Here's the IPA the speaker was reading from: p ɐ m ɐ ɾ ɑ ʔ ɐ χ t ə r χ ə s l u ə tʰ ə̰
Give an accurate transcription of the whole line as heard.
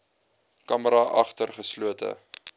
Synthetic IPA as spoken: k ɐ m ə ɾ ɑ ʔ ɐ χ t ə r χ ə s l u ə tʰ ə̰